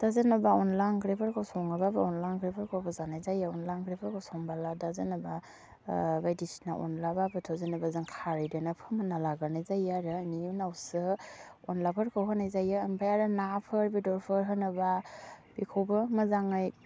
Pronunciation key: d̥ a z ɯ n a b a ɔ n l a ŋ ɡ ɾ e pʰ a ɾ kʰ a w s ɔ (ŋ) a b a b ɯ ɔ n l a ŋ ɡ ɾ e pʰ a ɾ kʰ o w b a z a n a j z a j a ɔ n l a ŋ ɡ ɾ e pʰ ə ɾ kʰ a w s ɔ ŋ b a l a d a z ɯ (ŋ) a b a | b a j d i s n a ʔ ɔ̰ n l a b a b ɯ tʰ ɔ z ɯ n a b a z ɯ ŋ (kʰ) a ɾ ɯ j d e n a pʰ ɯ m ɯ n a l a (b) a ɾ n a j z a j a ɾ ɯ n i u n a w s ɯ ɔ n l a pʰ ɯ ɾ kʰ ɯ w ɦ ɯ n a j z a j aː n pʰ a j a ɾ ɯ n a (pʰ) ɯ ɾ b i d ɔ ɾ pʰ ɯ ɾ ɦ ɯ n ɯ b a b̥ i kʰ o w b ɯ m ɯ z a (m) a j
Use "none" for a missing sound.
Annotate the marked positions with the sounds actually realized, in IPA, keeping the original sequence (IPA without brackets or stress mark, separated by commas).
ŋ, n, kʰ, ɡ, pʰ, ŋ